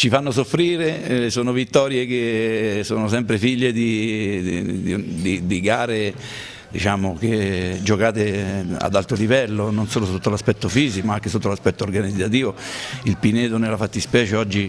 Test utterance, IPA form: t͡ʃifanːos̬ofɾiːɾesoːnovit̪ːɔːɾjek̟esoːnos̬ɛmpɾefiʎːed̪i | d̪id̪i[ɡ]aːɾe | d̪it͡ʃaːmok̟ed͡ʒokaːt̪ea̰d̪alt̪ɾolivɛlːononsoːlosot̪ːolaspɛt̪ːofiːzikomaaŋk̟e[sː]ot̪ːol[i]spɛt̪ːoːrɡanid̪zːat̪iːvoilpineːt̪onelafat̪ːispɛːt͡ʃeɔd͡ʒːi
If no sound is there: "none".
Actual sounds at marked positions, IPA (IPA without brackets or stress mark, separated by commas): ɡ, s, a